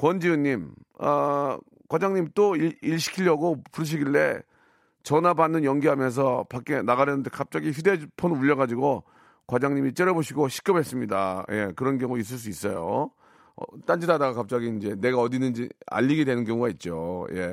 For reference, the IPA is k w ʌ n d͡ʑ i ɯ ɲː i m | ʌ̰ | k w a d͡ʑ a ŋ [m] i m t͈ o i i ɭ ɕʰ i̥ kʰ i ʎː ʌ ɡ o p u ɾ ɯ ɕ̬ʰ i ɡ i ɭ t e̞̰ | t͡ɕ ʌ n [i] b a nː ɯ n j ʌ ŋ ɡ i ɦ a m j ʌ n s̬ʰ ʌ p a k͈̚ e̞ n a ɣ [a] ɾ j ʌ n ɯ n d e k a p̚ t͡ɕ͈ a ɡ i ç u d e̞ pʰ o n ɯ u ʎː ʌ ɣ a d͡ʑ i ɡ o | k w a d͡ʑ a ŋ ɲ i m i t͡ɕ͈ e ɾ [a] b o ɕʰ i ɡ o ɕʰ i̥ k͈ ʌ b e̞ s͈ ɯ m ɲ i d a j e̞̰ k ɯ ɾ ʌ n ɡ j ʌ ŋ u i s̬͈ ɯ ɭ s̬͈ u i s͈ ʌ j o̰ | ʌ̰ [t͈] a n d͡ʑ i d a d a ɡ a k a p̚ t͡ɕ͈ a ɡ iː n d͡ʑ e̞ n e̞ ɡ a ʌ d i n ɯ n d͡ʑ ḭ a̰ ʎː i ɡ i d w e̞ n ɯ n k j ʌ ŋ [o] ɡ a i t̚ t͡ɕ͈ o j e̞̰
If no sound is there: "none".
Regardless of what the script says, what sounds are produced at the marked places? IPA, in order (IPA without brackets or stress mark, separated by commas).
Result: ɲ, a, a, ʌ, t͈, u